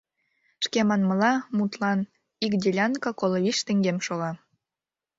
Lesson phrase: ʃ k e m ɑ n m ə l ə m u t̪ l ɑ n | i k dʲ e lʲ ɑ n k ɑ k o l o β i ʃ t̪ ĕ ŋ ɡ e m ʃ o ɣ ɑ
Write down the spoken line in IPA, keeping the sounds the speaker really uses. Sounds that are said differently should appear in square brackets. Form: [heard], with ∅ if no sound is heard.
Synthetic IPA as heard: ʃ k e m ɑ n m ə l [ɑ] m u t̪ l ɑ n | i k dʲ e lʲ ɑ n k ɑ k o l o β i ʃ t̪ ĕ ŋ ɡ e m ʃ o ɣ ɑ